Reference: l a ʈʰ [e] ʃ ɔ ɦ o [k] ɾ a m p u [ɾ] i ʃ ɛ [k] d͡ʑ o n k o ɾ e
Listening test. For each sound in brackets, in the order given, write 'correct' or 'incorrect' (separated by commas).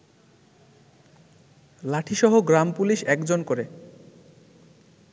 incorrect, incorrect, incorrect, correct